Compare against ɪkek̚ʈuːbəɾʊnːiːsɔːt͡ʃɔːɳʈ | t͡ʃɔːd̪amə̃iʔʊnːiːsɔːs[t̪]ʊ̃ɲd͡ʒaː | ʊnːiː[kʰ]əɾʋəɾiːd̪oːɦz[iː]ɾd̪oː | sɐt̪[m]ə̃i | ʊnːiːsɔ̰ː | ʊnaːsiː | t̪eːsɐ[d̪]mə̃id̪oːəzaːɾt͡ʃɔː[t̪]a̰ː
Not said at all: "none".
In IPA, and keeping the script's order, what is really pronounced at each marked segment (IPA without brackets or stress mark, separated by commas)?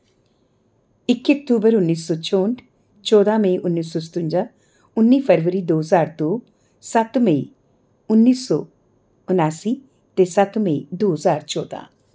t̪, pʰ, aː, m, t̪, d̪